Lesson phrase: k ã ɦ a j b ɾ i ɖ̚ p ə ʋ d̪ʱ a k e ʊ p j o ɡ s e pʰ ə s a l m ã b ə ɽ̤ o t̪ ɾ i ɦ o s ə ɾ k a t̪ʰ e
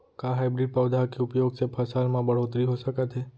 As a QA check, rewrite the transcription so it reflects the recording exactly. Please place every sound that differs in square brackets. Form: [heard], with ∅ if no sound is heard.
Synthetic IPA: k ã ɦ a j b ɾ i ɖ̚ p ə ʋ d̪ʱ a k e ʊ p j o ɡ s e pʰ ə s a l m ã b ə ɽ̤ o t̪ ɾ i ɦ o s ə [∅] k a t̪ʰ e